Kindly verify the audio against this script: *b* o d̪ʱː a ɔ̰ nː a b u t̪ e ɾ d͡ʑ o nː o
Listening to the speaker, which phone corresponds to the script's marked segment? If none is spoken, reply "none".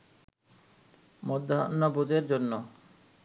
m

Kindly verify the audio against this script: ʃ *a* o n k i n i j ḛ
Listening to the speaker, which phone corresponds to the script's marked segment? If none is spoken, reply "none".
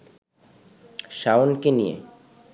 a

